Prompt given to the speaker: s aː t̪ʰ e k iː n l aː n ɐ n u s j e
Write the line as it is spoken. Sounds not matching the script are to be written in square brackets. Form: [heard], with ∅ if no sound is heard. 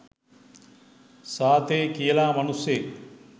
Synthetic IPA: s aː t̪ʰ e k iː [∅] l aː [m] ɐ n u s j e